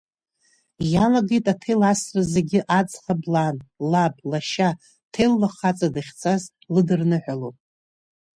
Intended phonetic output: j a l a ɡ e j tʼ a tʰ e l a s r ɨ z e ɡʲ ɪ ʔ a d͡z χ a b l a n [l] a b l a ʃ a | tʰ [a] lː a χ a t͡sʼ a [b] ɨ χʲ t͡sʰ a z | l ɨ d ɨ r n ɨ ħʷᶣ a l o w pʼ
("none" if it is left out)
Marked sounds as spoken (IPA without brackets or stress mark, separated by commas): l, e, d